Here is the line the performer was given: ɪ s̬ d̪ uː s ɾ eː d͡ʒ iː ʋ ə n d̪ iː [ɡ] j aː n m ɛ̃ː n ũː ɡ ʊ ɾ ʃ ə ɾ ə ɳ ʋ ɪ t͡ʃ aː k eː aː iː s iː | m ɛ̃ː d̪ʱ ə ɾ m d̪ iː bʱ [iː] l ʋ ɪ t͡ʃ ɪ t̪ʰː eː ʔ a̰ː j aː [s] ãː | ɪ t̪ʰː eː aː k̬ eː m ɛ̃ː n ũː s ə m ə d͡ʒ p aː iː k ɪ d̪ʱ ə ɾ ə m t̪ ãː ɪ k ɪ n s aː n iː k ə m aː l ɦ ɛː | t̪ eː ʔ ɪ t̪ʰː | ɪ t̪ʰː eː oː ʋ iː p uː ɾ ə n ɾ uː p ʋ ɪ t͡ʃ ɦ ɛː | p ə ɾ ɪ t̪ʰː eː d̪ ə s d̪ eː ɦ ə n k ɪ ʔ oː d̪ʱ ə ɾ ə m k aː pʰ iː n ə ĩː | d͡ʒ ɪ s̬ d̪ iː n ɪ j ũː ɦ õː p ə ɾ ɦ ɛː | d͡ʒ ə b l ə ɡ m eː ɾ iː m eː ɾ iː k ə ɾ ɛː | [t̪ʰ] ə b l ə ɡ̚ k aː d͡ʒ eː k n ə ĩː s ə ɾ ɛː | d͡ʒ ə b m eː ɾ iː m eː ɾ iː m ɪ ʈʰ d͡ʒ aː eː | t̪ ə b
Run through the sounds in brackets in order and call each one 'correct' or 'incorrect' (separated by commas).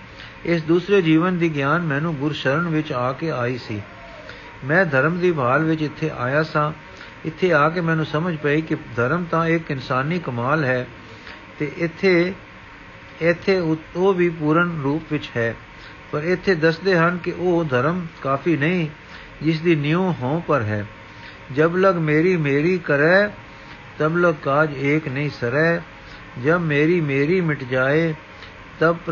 correct, incorrect, correct, incorrect